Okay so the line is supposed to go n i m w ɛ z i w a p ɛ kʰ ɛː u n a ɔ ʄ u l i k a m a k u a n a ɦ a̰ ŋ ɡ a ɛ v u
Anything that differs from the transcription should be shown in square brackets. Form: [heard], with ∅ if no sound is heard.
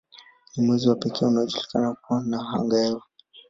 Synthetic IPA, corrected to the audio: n i m w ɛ z i w a p ɛ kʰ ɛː u n a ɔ ʄ u l i k a [n] a k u a n a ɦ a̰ ŋ ɡ a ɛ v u